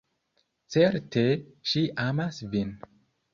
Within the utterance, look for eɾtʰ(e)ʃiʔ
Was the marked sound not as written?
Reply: no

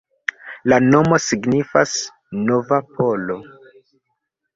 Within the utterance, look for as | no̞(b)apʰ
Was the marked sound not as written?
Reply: yes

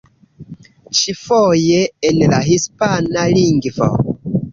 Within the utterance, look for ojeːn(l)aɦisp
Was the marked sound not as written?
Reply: no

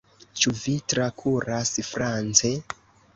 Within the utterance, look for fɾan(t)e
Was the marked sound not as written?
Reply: yes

